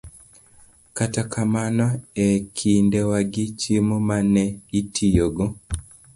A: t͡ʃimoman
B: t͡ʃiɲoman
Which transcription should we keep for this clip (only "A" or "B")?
A